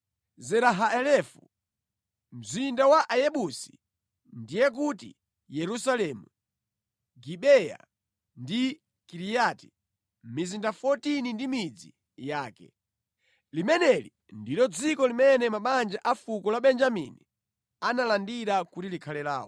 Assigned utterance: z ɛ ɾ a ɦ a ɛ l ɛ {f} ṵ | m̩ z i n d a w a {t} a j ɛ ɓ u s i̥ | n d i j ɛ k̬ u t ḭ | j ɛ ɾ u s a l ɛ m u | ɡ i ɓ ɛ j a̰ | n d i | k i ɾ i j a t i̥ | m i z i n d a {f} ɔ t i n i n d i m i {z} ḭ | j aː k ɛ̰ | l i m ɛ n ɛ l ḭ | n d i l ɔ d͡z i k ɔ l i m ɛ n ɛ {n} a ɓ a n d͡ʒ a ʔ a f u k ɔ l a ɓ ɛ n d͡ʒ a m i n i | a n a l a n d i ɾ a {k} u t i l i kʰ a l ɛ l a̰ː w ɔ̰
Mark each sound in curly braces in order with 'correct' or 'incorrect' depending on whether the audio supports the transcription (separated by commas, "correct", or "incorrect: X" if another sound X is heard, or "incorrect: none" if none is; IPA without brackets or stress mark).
correct, incorrect: ʔ, correct, incorrect: d͡z, incorrect: m, correct